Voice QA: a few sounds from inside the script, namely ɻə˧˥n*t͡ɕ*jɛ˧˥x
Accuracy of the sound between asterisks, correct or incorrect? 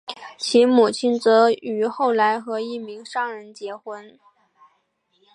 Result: correct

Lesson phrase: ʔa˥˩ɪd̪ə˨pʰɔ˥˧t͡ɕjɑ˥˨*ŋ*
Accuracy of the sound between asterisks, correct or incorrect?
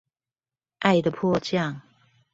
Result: correct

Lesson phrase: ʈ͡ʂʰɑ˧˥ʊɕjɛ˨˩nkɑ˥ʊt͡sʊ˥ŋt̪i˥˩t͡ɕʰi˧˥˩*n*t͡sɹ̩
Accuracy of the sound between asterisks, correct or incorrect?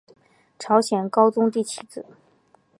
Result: incorrect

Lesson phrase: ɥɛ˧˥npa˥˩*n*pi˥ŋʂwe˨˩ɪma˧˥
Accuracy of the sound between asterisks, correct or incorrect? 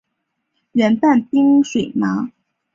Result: correct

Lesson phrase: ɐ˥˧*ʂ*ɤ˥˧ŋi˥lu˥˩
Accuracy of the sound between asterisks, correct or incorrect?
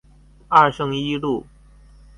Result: correct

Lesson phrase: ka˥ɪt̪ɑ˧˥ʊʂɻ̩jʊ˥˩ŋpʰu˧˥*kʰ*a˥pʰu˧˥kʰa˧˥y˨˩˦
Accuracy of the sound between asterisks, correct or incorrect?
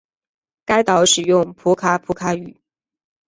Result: correct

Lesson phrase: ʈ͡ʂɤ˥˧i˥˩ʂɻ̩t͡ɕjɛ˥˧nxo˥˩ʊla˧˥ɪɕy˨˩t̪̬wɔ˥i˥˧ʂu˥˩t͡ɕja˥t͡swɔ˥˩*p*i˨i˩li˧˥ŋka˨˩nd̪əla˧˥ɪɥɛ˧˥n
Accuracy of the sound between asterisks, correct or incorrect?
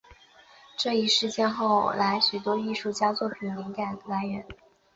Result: incorrect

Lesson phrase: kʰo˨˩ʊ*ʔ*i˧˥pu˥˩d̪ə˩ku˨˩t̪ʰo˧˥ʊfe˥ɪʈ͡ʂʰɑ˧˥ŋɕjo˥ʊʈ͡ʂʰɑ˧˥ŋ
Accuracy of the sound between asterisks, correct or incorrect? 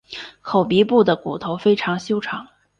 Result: incorrect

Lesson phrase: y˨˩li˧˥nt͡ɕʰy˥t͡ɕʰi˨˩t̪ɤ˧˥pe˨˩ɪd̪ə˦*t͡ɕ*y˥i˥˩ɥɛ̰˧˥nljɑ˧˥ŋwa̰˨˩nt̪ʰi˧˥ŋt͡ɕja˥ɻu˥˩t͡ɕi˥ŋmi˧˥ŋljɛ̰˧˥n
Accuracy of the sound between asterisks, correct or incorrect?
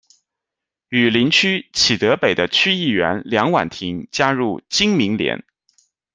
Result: incorrect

